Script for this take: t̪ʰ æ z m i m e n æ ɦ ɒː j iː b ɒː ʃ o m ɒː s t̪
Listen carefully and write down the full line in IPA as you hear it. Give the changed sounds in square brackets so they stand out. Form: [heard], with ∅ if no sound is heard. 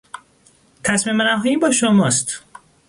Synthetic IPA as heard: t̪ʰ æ [s] m i m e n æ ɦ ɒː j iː b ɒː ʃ o m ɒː s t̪